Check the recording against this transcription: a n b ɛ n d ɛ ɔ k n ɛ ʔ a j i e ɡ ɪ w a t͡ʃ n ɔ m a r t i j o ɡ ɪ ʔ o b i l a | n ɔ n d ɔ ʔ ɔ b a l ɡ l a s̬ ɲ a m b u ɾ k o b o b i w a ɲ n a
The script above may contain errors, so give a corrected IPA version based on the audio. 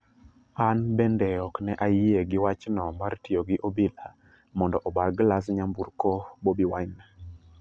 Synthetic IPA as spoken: a n b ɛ n d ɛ ɔ k n ɛ ʔ a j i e ɡ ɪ w a t͡ʃ n ɔ m a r t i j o ɡ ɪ ʔ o b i l a | m ɔ n d ɔ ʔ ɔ b a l ɡ l a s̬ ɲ a m b u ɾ k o b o b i w a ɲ n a